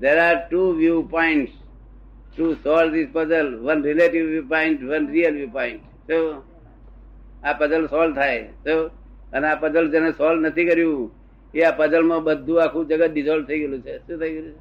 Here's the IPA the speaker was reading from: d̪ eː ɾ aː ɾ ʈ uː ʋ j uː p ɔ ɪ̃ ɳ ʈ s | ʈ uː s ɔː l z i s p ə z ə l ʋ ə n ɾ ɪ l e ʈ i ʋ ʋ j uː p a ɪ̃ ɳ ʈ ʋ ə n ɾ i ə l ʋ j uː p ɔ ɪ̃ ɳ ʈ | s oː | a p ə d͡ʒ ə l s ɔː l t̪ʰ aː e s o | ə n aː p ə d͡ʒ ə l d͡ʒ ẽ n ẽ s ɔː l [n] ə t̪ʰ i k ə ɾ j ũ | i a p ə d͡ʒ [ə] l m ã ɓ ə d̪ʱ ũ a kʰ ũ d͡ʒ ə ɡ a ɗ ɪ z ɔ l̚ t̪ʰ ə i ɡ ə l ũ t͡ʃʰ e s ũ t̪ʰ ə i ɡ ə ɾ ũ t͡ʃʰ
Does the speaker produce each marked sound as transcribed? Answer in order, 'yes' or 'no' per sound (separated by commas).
yes, yes